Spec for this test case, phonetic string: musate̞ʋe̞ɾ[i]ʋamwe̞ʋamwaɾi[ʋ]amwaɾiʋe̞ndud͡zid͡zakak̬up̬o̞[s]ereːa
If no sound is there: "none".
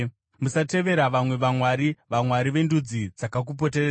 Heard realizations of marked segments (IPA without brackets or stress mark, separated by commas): a, ʋ, t